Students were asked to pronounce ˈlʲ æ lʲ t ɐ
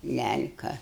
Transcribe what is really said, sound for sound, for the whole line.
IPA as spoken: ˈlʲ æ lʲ k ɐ